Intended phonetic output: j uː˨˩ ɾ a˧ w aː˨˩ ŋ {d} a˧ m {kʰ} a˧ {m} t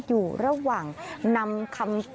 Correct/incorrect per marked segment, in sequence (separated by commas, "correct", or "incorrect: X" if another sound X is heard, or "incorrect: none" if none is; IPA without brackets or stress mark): incorrect: n, correct, correct